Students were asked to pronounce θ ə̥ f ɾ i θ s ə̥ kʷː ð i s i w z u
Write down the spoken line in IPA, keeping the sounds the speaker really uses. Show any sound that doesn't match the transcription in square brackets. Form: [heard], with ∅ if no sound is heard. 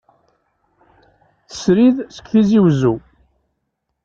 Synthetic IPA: θ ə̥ [s] ɾ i [ð] s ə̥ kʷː [θ] i [z] i w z u